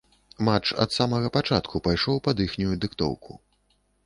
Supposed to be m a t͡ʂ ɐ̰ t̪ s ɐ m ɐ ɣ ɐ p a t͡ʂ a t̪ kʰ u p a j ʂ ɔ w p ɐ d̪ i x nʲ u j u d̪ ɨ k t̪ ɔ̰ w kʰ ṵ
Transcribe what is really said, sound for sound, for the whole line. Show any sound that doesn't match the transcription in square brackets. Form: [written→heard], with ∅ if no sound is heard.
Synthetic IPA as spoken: m a t͡ʂ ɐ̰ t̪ s [ɐ→a] m ɐ ɣ ɐ p a t͡ʂ a t̪ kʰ u p a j ʂ ɔ w p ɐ d̪ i x nʲ u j u d̪ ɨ k t̪ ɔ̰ w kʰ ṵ